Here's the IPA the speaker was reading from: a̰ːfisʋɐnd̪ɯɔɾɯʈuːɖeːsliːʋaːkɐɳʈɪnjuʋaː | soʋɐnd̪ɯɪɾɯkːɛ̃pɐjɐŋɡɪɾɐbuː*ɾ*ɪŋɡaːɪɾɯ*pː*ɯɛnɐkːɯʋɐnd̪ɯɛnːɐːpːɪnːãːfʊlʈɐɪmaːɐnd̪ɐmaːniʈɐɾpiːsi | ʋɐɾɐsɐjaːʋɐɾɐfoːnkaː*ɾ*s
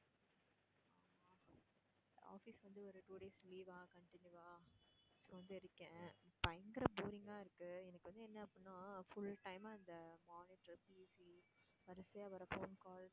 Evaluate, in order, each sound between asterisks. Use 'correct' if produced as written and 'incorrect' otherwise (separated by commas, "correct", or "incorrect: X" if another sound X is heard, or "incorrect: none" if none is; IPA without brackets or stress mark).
correct, incorrect: kː, incorrect: l